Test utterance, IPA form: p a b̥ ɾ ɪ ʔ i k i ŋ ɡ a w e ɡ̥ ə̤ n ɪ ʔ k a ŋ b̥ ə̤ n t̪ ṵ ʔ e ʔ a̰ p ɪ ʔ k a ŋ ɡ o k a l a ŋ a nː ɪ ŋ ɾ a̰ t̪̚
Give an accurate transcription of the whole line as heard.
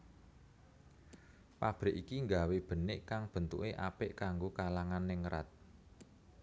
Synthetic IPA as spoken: p a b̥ ɾ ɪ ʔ i k i ŋ ɡ a w e b̥ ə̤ n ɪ ʔ k a ŋ b̥ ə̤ n t̪ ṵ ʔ e ʔ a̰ p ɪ ʔ k a ŋ ɡ o k a l a ŋ a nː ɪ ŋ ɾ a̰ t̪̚